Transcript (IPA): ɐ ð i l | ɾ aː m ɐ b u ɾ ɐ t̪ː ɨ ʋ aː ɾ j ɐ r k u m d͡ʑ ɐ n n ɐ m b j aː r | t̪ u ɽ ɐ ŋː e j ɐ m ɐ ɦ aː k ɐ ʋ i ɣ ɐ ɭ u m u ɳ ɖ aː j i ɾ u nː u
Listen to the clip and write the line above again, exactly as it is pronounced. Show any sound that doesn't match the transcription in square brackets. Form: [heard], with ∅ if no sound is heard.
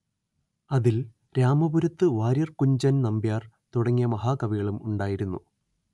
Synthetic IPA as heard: ɐ ð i l | ɾ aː m ɐ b u ɾ ɐ t̪ː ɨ ʋ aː ɾ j ɐ r k u [ɲ] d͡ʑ ɐ n n ɐ m b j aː r | t̪ u ɽ ɐ ŋː [i] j ɐ m ɐ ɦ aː k ɐ ʋ i ɣ ɐ ɭ u m u ɳ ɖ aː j i ɾ u nː u